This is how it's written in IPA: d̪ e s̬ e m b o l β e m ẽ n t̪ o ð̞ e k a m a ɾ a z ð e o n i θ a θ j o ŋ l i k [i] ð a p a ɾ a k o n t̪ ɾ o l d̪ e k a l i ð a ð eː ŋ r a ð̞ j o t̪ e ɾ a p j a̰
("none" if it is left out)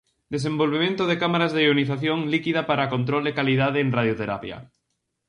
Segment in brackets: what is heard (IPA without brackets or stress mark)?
i